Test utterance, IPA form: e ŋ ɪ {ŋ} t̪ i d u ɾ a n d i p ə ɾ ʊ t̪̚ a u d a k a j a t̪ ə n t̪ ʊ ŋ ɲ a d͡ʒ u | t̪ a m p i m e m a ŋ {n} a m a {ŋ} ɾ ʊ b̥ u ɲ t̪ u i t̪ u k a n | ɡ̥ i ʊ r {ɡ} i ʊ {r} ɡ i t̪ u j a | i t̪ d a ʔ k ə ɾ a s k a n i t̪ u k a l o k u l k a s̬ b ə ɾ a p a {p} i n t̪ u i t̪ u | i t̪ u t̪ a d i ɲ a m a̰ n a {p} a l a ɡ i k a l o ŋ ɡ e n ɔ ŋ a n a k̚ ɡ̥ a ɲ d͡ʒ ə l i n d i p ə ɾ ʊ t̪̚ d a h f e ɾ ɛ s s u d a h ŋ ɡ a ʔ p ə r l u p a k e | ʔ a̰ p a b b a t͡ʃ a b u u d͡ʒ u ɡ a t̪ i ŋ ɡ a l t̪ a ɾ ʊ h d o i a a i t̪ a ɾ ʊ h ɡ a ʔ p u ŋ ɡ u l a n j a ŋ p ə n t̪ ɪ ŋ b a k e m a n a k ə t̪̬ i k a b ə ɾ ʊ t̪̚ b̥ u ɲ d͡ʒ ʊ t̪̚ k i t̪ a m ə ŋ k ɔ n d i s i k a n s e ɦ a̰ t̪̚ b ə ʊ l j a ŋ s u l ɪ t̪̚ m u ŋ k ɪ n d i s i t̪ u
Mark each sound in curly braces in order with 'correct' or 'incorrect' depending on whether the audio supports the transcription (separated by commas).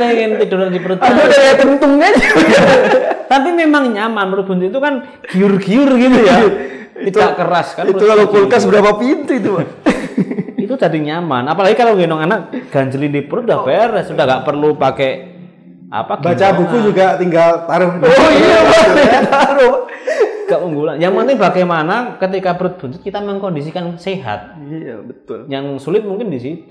incorrect, incorrect, incorrect, correct, correct, correct, correct